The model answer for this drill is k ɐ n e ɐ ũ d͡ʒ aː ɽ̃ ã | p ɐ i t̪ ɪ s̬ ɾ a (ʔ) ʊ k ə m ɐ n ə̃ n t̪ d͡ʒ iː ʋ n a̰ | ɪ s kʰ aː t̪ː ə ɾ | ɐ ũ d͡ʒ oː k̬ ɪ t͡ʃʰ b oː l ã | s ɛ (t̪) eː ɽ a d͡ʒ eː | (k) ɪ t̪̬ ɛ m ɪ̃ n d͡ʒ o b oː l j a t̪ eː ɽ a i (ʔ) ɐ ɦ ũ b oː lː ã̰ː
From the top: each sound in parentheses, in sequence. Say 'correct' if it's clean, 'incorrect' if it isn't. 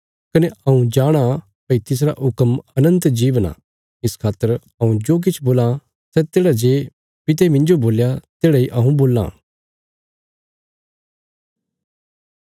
correct, correct, incorrect, correct

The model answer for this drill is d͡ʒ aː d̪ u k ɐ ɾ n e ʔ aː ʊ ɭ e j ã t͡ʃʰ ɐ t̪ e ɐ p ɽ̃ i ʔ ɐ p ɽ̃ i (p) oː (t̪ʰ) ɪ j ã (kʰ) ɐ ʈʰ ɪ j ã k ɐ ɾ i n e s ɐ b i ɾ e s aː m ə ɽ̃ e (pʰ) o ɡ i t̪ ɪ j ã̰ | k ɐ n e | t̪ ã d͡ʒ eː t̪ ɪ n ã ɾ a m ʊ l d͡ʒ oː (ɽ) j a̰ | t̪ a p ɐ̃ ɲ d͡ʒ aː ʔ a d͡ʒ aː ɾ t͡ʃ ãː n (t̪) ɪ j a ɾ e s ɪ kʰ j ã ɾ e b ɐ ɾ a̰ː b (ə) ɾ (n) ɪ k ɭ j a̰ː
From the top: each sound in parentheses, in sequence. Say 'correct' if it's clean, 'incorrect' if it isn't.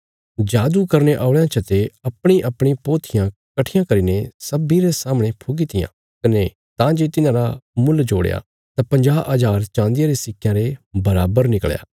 correct, correct, incorrect, correct, correct, incorrect, correct, correct

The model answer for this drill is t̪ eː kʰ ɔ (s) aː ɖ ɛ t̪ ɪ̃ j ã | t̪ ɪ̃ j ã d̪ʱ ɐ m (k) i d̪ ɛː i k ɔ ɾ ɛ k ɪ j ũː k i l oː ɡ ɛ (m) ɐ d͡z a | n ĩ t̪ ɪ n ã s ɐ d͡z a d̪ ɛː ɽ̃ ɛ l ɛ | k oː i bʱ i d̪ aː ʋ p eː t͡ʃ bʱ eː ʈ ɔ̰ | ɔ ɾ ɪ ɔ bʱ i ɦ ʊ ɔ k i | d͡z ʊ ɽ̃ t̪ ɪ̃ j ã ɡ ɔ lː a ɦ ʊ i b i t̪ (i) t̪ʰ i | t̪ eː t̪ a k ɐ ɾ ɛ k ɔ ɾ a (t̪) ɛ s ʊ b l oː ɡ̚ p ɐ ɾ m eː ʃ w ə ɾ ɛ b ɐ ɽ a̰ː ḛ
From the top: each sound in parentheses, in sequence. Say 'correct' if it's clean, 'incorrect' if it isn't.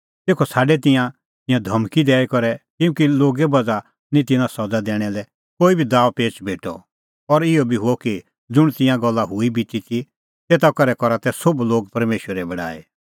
correct, correct, incorrect, correct, correct

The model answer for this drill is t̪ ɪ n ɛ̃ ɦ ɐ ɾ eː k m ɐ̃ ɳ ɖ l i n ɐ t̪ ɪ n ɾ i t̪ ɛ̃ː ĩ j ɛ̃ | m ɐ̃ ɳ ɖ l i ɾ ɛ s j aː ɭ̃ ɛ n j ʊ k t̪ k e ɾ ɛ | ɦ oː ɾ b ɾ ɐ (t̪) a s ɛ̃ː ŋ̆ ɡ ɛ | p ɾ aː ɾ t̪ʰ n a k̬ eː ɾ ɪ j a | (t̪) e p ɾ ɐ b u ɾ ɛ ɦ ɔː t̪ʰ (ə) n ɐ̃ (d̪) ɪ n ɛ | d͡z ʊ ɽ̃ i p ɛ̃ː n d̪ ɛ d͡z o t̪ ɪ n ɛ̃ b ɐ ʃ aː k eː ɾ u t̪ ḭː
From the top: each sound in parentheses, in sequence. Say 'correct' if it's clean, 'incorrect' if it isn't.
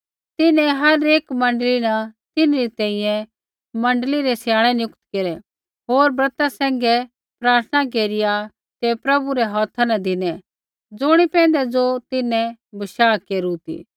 correct, correct, incorrect, correct

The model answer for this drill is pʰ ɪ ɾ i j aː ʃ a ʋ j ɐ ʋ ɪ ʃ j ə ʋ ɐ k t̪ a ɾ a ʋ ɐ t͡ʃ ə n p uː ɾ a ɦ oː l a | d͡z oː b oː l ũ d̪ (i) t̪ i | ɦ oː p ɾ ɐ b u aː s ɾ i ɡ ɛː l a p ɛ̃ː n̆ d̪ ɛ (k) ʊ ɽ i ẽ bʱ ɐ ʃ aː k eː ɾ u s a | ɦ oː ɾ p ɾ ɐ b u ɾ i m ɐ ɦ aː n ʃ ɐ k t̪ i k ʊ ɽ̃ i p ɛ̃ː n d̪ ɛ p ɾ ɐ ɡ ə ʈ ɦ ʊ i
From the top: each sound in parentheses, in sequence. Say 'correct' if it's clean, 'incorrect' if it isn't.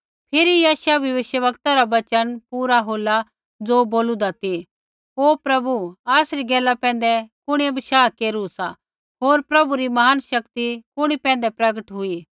incorrect, correct

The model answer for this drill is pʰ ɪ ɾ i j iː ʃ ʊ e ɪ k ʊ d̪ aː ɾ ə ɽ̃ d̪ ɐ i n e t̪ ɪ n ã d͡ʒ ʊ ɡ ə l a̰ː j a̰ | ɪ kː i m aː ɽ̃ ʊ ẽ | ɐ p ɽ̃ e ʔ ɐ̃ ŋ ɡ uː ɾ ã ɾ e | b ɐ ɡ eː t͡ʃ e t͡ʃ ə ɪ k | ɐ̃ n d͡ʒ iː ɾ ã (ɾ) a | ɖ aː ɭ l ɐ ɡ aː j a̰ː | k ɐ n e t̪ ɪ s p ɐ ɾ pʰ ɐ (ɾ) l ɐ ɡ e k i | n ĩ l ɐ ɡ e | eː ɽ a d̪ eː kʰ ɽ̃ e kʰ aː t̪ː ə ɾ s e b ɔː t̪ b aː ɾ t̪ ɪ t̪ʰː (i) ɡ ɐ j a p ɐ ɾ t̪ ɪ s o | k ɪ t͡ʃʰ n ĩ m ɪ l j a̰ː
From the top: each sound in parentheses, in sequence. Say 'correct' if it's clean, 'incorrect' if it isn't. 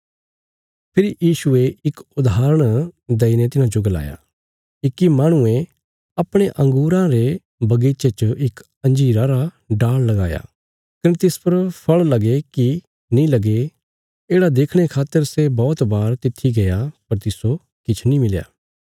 correct, incorrect, correct

